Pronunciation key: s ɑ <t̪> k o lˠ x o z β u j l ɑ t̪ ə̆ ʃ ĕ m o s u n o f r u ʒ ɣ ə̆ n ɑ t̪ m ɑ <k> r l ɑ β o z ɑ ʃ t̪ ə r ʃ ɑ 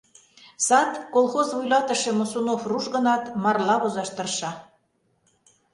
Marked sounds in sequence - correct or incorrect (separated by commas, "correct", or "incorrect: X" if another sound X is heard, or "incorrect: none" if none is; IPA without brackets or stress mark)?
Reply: correct, incorrect: none